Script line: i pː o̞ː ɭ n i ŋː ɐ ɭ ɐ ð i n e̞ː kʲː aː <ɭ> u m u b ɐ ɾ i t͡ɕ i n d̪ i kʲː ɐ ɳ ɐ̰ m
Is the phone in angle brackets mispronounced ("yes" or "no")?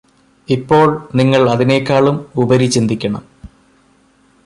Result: no